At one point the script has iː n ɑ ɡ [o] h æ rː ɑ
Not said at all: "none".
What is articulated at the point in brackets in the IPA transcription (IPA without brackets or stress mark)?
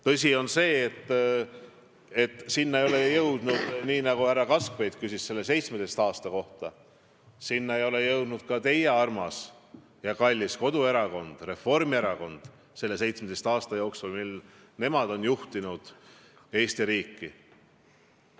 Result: u